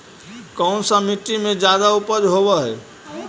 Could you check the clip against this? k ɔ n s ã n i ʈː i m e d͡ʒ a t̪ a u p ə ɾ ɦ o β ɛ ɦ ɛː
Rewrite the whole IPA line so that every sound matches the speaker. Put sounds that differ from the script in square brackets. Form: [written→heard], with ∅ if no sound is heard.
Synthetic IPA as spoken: k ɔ n s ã [n→m] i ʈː i m e d͡ʒ a [t̪→d̪] a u p ə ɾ ɦ o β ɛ ɦ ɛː